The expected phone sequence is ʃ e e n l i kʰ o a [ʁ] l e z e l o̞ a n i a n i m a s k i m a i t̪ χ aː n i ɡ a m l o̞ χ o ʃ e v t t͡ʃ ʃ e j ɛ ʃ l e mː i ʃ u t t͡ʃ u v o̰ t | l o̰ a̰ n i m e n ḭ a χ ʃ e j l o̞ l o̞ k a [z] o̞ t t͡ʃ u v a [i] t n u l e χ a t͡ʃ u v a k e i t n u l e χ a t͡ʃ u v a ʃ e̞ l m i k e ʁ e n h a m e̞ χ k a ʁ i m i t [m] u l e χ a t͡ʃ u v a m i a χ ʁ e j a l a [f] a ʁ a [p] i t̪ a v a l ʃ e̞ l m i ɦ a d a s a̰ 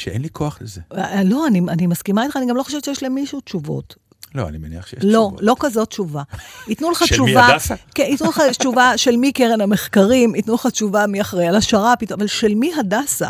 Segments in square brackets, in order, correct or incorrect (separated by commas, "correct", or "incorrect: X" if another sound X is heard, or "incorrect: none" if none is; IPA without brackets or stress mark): incorrect: χ, correct, correct, incorrect: n, incorrect: ʃ, correct